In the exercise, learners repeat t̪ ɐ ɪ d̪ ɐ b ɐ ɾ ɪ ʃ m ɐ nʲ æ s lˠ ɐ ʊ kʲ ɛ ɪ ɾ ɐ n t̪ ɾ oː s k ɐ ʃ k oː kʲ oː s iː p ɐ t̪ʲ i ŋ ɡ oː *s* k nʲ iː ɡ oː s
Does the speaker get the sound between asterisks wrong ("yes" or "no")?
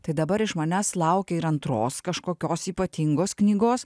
no